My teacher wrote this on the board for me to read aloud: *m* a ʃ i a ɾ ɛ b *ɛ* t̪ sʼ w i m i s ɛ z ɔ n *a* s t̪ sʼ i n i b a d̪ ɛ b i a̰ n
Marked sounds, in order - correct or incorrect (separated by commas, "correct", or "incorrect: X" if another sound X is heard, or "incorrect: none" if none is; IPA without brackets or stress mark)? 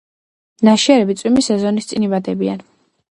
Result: incorrect: n, incorrect: i, incorrect: i